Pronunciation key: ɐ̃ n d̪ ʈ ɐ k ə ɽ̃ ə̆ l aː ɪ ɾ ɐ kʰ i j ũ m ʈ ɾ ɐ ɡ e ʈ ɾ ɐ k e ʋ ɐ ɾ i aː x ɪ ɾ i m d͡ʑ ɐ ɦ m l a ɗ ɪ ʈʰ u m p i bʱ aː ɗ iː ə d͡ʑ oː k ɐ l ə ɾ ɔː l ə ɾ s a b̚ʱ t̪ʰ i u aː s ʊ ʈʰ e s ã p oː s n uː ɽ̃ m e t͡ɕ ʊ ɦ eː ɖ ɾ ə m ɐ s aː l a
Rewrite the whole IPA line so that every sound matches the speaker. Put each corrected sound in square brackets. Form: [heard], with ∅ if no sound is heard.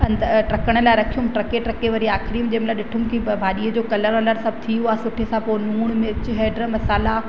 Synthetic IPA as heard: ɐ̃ n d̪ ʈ ɐ k ə ɽ̃ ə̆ l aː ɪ ɾ ɐ kʰ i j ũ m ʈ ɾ ɐ [k] e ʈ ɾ ɐ k e ʋ ɐ ɾ i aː x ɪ ɾ i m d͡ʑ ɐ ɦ m l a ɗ ɪ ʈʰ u m [k] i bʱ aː ɗ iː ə d͡ʑ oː k ɐ l ə ɾ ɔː l ə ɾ s [ɐ] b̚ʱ t̪ʰ i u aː s ʊ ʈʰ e s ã p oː [∅] n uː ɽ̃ m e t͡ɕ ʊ ɦ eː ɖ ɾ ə m ɐ s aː l a